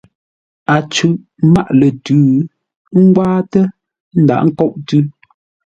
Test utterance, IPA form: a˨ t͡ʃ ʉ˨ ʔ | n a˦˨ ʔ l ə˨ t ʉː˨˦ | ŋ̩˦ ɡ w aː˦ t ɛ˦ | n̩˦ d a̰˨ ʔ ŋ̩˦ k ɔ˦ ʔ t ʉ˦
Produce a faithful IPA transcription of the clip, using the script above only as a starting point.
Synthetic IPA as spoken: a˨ t͡ʃ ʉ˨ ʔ | m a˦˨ ʔ l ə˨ t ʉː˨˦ | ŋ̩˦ ɡ w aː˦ t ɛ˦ | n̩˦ d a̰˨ ʔ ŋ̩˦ k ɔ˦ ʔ t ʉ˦